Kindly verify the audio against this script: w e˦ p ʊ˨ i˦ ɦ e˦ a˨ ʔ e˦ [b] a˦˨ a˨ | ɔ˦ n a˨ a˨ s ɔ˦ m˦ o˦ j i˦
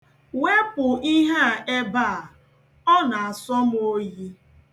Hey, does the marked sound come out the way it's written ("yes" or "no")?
yes